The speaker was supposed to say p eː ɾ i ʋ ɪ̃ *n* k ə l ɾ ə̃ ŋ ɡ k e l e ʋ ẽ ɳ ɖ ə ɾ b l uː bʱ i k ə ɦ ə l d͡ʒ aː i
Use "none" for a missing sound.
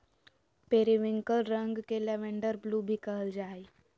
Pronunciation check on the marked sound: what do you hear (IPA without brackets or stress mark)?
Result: ŋ